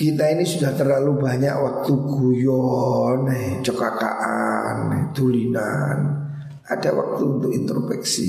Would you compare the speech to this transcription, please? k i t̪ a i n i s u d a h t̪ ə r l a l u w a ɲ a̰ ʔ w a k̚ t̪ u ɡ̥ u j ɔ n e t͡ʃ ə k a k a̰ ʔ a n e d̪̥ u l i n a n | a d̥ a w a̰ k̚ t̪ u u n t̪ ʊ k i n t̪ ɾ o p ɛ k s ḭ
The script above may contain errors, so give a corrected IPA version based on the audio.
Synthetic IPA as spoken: k i t̪ a i n i s u d a h t̪ ə r l a l u b a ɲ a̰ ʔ w a k̚ t̪ u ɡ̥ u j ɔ n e t͡ʃ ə k a k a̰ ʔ a n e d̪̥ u l i n a n | a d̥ a w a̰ k̚ t̪ u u n t̪ ʊ k i n t̪ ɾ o p ɛ k s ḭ